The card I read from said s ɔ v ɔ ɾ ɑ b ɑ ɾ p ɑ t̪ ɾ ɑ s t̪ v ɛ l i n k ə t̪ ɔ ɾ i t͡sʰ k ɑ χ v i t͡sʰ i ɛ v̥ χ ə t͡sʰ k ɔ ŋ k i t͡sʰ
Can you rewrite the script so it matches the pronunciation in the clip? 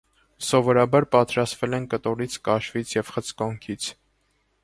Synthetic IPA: s ɔ v ɔ ɾ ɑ b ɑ ɾ p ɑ t̪ ɾ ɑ s t̪ v ɛ l ɛ n k ə t̪ ɔ ɾ i t͡sʰ k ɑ ʃ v i t͡sʰ j ɛ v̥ χ ə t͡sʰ k ɔ ŋ kʰ i t͡sʰ

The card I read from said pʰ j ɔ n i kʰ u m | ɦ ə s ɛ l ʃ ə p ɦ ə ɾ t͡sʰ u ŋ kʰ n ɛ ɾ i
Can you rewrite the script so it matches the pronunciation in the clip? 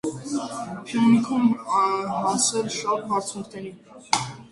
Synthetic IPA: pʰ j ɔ n i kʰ u m | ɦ ɑ s ɛ l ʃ ɑ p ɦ ɑ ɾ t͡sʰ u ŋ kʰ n ɛ ɾ i

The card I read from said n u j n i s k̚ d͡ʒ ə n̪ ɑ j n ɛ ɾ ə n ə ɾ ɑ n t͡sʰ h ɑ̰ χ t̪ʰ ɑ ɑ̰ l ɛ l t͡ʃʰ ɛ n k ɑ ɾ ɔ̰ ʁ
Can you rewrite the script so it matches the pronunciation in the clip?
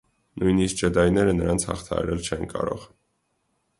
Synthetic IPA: n u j n i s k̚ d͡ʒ ə d̪ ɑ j n ɛ ɾ ə n ə ɾ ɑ n t͡sʰ h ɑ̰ χ t̪ʰ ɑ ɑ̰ ɾ ɛ l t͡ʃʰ ɛ n k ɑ ɾ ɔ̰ ʁ

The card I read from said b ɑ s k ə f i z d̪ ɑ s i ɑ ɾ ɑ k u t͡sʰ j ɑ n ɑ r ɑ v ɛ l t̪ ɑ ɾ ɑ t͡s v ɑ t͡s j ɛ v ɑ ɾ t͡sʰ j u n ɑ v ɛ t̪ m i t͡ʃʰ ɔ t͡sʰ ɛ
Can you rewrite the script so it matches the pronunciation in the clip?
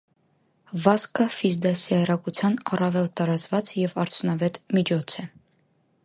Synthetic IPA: v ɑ s k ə f i z d̪ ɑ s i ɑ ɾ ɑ k u t͡sʰ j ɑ n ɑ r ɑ v ɛ l t̪ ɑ ɾ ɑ t͡s v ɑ t͡s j ɛ v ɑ ɾ t͡sʰ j u n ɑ v ɛ t̪ m i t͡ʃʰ ɔ t͡sʰ ɛ

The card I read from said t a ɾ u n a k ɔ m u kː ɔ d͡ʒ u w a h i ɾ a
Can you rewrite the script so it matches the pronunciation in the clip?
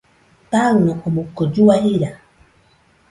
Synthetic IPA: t a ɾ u n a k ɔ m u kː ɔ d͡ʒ u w a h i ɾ a

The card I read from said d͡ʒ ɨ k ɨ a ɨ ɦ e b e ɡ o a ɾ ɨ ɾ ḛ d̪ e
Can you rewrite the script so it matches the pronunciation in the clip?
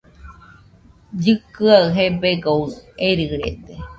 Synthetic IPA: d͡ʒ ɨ k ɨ a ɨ ɦ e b e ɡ o e ɾ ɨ ɾ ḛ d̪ e

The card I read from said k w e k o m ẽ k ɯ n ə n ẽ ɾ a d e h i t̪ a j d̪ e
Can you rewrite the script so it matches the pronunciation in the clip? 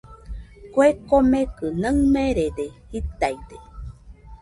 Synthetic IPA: k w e k o m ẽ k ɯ n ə m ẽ ɾ e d e h i t̪ a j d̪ e

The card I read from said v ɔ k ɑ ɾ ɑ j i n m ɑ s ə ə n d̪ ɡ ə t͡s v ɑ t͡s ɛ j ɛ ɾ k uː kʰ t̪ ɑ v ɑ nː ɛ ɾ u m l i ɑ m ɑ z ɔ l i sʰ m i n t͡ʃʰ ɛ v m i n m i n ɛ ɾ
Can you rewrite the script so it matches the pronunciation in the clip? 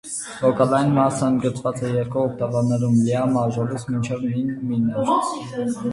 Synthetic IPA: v ɔ k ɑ l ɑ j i n m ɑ s ə ə n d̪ ɡ ə t͡s v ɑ t͡s ɛ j ɛ ɾ k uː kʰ t̪ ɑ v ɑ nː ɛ ɾ u m l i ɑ m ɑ ʒ ɔ l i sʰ m i n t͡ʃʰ ɛ v m i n m i n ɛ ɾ

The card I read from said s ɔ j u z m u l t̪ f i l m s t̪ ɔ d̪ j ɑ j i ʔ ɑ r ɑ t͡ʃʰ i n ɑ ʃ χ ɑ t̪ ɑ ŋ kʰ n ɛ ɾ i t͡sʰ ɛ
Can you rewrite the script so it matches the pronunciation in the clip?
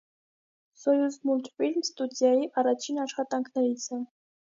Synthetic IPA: s ɔ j u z m u l t̪ f i l m s t̪ u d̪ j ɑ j i ʔ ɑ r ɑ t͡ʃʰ i n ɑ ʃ χ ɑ t̪ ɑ ŋ kʰ n ɛ ɾ i t͡sʰ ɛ

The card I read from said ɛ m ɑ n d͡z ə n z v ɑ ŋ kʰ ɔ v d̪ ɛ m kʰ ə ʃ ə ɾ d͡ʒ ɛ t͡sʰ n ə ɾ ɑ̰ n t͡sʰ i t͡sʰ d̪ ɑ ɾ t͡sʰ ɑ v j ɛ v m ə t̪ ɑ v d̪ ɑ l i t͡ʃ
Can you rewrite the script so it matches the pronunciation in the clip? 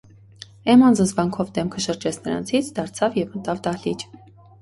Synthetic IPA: ɛ m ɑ n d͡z ə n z v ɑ ŋ kʰ ɔ v d̪ ɛ m kʰ ə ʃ ə ɾ d͡ʒ ɛ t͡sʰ n ə ɾ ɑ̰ n t͡sʰ i t͡sʰ d̪ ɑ ɾ t͡sʰ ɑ v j ɛ v m ə t̪ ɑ v d̪ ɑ l i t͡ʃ

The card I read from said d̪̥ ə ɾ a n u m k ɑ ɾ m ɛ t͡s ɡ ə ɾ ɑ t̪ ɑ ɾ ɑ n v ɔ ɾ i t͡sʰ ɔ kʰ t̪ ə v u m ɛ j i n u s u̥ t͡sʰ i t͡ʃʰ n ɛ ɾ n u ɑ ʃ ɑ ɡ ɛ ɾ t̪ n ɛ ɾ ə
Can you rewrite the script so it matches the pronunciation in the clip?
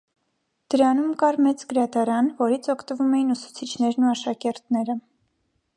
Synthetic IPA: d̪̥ ə ɾ ɑ n u m k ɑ ɾ m ɛ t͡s ɡ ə ɾ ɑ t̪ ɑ ɾ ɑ n v ɔ ɾ i t͡sʰ ɔ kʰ t̪ ə v u m ɛ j i n u s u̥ t͡sʰ i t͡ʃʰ n ɛ ɾ n u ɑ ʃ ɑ k ɛ ɾ t̪ n ɛ ɾ ə

